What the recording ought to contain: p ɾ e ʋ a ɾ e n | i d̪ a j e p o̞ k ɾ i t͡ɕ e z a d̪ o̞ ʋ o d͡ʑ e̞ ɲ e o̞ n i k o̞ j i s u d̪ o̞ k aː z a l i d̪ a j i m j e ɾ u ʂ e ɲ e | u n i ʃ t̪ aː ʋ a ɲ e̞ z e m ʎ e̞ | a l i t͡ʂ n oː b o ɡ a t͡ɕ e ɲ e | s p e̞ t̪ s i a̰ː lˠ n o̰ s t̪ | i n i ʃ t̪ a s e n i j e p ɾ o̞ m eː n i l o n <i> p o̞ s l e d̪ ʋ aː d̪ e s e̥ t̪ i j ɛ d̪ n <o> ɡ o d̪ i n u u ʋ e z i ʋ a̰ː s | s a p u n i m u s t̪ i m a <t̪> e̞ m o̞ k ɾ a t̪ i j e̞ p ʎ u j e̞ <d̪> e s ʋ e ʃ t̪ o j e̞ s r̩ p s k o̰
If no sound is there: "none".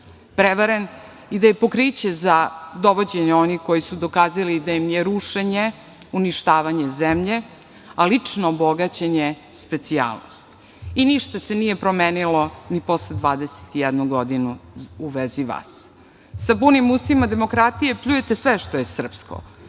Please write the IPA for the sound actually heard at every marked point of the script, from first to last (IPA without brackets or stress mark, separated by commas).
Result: i, u, d̪, t̪